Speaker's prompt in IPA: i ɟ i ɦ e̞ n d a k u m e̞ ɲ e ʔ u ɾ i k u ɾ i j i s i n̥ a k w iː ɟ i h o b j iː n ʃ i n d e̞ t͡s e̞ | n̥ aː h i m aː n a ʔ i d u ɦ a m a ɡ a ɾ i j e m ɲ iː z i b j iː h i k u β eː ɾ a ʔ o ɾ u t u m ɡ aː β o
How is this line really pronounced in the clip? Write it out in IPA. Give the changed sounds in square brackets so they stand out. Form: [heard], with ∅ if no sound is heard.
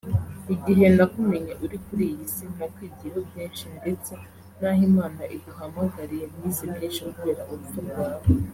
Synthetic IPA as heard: i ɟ i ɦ e̞ n d a k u m e̞ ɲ e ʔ u ɾ i k u ɾ i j i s i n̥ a k w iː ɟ i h o b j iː n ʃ i n d e̞ t͡s e̞ | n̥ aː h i m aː n a ʔ i d u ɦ a m a ɡ a ɾ i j e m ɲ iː z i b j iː [ʃ] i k u β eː ɾ a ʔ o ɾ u t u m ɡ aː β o